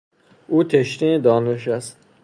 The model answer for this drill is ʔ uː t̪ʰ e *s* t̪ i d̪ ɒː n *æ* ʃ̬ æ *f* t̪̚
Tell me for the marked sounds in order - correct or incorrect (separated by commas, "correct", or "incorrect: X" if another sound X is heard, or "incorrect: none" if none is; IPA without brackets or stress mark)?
incorrect: ʃ, incorrect: e, incorrect: s